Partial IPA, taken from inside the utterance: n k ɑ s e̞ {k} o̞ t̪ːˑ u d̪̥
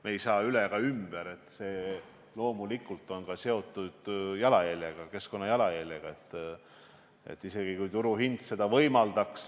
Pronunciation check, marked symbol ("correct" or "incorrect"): incorrect